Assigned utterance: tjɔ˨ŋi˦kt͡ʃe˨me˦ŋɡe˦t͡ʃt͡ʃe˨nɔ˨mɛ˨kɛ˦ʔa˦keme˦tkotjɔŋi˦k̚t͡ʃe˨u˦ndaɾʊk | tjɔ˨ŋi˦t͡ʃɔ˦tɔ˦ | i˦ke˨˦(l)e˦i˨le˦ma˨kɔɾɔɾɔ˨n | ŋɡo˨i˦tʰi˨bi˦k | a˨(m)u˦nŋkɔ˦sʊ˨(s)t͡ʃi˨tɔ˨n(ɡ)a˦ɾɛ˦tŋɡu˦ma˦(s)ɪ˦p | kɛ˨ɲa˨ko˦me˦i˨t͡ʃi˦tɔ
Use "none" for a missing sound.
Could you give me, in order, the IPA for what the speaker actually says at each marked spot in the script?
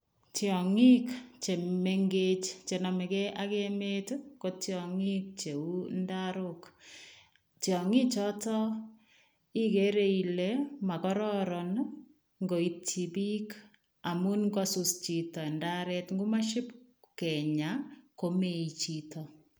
ɾ, m, s, d, ʃ

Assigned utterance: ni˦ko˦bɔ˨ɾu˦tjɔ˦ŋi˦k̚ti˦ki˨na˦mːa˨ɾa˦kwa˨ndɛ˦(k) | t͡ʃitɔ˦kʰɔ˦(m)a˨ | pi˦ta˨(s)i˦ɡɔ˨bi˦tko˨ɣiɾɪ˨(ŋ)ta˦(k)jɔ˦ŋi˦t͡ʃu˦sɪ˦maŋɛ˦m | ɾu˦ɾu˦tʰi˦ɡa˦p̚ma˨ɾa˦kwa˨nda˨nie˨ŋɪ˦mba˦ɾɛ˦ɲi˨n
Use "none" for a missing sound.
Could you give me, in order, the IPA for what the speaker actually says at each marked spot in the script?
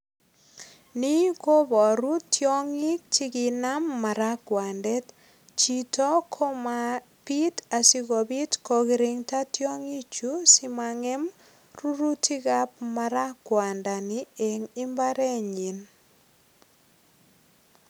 t, m, s, ŋ, t

